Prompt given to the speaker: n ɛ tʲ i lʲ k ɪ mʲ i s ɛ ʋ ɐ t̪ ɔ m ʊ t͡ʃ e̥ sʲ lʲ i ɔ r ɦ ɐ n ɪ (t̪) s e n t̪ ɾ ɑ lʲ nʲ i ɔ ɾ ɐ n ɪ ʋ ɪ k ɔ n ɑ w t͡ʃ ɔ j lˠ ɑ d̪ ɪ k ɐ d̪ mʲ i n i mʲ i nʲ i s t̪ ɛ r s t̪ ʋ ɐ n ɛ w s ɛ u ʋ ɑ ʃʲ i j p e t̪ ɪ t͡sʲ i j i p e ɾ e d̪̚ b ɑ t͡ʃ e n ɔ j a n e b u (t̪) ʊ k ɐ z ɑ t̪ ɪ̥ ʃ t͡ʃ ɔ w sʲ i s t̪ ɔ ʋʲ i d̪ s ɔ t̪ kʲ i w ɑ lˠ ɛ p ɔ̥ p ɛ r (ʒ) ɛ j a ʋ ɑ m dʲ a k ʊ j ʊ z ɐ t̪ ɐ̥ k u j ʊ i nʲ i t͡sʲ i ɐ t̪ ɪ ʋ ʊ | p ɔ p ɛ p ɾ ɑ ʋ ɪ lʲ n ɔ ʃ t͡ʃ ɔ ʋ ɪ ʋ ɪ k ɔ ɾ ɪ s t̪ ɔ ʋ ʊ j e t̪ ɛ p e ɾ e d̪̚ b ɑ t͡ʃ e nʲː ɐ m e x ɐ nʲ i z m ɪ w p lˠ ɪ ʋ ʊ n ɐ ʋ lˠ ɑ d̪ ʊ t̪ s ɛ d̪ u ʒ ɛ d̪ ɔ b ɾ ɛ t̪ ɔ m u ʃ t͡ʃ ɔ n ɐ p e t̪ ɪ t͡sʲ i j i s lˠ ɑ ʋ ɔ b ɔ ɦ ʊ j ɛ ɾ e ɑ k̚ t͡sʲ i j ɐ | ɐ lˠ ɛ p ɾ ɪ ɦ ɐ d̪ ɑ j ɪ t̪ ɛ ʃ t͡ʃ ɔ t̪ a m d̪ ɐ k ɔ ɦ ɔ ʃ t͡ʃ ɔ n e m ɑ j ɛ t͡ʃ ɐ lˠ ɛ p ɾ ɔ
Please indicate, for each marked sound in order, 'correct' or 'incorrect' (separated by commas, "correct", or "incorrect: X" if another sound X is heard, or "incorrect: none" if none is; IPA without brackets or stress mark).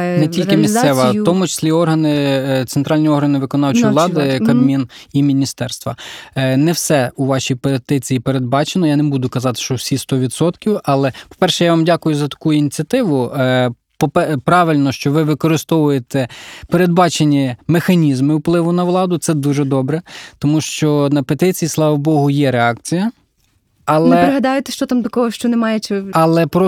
correct, incorrect: d̪, incorrect: ʃ